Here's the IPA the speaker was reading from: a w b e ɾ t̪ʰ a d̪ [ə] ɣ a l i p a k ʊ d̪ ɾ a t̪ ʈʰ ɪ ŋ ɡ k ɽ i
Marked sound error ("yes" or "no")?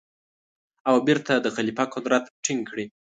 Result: no